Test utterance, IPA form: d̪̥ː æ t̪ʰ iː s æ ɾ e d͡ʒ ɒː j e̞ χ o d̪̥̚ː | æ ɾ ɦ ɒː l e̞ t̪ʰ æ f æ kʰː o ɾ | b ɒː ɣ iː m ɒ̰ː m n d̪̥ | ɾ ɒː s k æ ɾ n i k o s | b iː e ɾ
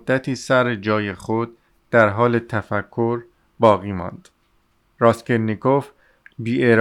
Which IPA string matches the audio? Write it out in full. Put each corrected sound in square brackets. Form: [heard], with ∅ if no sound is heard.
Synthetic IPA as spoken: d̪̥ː æ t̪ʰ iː s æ ɾ e d͡ʒ ɒː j e̞ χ o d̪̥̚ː | æ ɾ ɦ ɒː l e̞ t̪ʰ æ f æ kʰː o ɾ | b ɒː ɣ iː m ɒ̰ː [∅] n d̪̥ | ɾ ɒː s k [e] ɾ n i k o [f] | b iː e ɾ